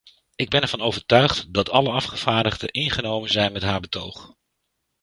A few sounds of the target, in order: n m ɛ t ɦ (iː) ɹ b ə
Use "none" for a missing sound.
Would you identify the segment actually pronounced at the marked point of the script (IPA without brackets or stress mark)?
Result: aː